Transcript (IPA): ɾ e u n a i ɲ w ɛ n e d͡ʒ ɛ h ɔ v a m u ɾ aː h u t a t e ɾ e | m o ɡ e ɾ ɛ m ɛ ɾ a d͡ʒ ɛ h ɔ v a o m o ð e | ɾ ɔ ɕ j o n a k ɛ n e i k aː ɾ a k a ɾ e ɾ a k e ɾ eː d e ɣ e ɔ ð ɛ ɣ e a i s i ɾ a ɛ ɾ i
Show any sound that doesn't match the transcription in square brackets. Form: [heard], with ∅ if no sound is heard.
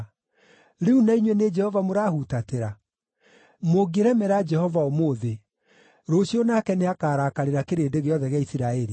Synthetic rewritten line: ɾ e u n a i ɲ w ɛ n e d͡ʒ ɛ h ɔ v a m [o] ɾ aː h u t a t e ɾ [a] | m o ɡ e ɾ ɛ m ɛ ɾ a d͡ʒ ɛ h ɔ v a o m o ð e | ɾ [o] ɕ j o n a k ɛ n e [a] k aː ɾ a k a ɾ e ɾ a k e ɾ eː d e ɣ e ɔ ð ɛ ɣ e a i s i ɾ a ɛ ɾ i